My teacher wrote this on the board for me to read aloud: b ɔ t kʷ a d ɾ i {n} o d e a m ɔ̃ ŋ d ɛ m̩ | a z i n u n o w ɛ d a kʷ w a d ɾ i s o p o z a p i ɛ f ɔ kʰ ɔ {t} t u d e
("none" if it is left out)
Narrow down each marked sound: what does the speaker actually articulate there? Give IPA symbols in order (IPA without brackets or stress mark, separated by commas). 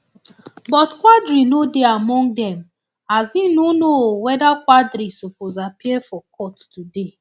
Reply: n, t